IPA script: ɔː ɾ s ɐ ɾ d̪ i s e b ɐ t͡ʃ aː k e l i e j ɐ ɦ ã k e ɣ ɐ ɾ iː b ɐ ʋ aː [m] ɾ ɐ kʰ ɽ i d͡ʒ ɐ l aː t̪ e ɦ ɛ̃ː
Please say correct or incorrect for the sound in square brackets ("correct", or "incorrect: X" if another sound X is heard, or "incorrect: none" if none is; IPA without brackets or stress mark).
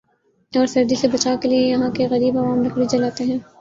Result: correct